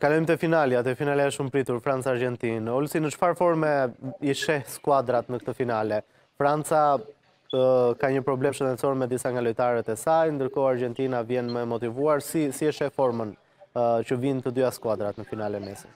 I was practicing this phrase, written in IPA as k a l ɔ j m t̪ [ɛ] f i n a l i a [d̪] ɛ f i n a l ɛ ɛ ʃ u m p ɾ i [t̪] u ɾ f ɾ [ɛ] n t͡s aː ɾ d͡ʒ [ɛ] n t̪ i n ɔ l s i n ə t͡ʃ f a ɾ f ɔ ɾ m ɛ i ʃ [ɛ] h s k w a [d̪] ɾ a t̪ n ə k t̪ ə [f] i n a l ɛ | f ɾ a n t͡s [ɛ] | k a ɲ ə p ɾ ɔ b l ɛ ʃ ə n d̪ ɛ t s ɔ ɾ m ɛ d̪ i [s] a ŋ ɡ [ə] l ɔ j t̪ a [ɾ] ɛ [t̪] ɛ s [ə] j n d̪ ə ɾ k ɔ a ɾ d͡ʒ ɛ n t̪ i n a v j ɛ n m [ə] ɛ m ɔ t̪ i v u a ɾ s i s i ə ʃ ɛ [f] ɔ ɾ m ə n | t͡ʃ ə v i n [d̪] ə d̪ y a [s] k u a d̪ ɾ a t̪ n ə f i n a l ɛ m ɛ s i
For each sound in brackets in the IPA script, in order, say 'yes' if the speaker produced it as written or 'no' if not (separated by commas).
yes, no, yes, no, yes, yes, yes, yes, no, yes, no, yes, yes, no, yes, yes, no, yes